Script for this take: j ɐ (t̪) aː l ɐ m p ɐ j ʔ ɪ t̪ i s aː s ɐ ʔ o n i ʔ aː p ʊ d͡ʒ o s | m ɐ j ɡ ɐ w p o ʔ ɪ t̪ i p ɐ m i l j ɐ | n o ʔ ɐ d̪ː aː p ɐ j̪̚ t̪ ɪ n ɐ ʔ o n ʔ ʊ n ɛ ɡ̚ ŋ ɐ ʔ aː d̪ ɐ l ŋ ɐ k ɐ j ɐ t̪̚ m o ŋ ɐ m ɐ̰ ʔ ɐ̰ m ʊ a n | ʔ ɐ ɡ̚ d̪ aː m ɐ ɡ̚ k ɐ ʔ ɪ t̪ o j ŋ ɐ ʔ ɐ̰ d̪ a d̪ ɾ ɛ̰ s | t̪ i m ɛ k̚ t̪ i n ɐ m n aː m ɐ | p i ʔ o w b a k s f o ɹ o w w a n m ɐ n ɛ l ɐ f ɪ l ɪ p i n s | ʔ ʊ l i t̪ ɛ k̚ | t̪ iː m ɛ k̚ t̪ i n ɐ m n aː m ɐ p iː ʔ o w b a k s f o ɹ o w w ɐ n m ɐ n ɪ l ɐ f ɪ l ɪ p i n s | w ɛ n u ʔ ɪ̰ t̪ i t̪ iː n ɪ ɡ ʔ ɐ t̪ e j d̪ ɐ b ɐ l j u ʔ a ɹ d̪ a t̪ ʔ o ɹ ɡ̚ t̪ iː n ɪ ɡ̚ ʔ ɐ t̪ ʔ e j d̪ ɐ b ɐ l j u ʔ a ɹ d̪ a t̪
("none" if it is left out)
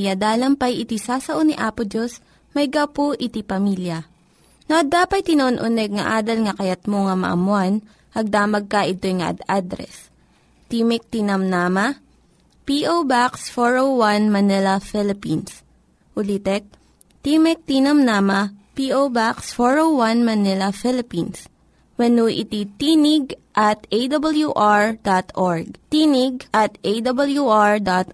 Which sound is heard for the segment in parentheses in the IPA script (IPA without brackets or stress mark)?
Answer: d̪